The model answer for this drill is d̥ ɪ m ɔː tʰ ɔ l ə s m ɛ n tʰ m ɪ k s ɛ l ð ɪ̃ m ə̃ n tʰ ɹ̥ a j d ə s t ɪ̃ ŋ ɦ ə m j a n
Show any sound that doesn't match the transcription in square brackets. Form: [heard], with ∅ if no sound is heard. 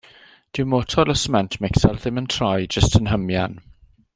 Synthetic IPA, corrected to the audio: d̥ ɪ m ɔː tʰ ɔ l ə s m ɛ n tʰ m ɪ k s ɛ l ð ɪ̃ m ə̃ n tʰ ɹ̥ a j [d͡ʒ] ə s t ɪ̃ [n] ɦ ə m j a n